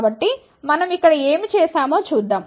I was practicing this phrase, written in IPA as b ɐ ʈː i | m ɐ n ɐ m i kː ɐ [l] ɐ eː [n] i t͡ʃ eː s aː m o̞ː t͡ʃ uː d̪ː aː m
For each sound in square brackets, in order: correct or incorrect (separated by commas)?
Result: incorrect, incorrect